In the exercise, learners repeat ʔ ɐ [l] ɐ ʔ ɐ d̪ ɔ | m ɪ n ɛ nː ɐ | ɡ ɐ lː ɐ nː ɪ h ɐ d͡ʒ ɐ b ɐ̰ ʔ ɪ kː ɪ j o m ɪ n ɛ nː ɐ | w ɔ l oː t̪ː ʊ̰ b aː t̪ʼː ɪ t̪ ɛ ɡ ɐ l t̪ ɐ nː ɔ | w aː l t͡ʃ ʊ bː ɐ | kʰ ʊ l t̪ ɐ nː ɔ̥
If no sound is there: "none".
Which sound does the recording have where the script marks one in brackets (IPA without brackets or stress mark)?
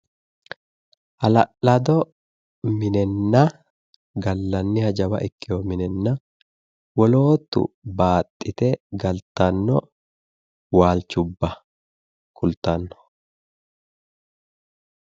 l